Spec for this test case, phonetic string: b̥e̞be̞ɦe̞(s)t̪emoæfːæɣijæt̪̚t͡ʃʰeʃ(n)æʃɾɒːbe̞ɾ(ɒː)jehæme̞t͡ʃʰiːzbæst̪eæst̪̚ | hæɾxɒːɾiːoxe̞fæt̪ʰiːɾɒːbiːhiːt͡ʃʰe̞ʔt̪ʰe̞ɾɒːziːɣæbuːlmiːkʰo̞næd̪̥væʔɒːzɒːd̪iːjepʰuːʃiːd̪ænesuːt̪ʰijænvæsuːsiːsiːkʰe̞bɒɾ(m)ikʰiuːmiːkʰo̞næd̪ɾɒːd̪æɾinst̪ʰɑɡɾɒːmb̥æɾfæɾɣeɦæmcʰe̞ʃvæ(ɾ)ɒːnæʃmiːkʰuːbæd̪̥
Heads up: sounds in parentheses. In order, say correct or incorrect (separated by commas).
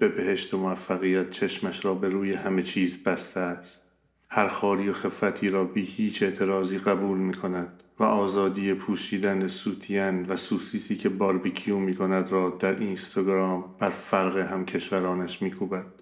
incorrect, incorrect, incorrect, incorrect, correct